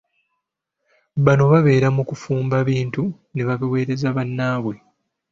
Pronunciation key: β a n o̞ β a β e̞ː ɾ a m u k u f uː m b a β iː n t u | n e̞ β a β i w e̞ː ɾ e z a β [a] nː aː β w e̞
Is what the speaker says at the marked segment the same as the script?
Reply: yes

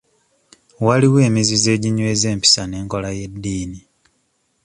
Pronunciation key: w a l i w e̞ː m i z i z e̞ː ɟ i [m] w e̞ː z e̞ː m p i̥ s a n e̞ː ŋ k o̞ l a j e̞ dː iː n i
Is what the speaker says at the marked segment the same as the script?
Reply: no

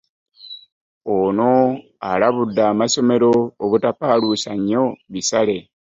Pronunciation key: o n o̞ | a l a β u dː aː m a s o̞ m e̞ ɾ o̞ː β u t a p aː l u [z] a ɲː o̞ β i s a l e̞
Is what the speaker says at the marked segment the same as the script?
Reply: no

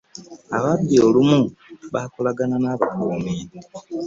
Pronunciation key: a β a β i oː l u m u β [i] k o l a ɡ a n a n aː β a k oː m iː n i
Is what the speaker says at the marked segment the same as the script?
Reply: no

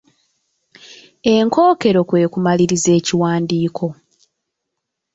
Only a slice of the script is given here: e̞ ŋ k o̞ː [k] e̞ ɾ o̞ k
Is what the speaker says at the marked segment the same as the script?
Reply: yes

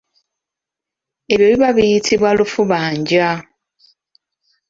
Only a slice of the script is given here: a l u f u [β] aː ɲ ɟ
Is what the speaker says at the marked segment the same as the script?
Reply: yes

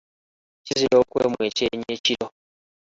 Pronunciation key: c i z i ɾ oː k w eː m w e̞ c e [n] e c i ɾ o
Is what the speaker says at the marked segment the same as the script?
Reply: no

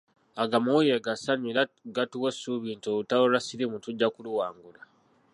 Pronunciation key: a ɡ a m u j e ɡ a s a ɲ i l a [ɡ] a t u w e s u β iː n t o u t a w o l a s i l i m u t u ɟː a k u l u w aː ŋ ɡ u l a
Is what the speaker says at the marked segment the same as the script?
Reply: yes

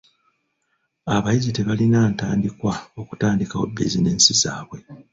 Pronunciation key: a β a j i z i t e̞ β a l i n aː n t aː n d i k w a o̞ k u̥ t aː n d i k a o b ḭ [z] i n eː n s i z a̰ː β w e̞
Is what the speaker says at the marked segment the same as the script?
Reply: yes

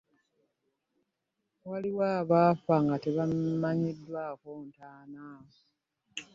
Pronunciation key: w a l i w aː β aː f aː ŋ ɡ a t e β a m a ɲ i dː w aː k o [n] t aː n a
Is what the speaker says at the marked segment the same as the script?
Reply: yes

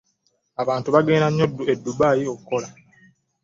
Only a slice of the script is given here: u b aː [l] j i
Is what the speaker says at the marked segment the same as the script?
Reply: no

